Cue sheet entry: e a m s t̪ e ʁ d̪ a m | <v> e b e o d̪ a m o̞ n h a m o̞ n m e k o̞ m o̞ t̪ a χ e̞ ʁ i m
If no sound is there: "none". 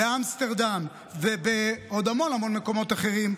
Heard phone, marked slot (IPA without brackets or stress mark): v